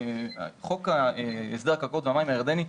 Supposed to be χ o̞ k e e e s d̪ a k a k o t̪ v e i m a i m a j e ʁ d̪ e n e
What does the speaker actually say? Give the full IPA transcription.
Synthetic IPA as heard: χ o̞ k a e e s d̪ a k a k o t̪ v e a m a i m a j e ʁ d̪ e n i